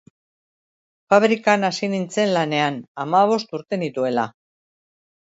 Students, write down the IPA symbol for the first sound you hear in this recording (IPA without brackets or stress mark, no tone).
f